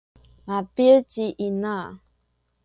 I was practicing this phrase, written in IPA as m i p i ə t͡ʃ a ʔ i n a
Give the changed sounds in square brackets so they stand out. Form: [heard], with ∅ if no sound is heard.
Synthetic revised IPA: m [a] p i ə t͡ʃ [i] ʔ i n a